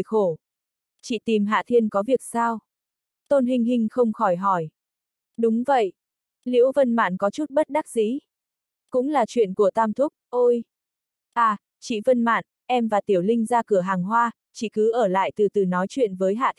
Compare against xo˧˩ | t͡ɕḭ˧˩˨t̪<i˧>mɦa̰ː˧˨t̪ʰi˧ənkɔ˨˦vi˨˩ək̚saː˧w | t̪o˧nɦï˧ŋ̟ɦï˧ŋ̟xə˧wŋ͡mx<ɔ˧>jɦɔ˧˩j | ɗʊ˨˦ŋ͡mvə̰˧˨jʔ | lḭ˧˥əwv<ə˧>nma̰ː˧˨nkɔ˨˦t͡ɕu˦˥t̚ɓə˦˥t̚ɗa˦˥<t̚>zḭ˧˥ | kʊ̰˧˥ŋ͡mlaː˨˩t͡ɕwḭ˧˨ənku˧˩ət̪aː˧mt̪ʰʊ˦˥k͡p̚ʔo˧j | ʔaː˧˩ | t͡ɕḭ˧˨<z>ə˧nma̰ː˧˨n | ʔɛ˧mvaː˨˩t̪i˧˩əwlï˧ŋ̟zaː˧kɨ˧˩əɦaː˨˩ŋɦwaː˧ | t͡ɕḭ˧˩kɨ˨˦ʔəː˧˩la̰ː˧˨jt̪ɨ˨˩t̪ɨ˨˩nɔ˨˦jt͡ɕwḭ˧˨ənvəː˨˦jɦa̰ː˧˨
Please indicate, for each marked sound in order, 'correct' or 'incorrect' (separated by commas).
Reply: incorrect, incorrect, correct, incorrect, incorrect